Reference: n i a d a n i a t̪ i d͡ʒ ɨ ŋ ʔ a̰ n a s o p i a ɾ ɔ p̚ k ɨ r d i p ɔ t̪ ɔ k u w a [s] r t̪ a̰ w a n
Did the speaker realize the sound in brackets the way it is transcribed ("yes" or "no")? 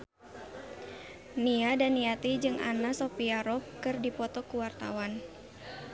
no